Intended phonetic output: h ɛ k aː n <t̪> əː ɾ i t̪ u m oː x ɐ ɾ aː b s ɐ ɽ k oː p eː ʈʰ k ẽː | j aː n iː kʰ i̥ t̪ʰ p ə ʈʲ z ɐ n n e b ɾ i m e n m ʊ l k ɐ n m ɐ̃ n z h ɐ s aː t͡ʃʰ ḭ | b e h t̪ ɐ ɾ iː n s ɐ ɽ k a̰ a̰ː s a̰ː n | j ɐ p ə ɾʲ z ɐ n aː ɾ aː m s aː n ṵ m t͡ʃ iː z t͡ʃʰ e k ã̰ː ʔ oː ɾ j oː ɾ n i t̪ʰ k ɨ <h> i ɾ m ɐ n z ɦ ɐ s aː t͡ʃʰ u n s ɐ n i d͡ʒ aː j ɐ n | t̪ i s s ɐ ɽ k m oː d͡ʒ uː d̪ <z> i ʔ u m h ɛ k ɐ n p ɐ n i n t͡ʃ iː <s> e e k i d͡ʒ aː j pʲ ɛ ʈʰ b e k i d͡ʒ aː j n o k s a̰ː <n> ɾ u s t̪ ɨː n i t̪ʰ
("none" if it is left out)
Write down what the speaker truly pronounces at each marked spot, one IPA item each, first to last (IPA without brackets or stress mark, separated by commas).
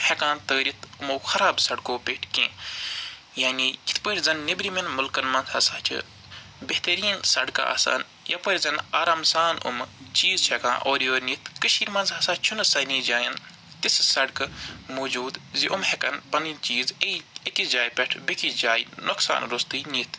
t̪, ʃ, z, z, n